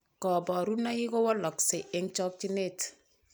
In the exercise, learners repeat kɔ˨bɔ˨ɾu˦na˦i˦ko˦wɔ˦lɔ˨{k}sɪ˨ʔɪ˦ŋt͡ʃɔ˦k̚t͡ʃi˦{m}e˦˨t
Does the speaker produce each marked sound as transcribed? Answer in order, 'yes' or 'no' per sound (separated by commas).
yes, no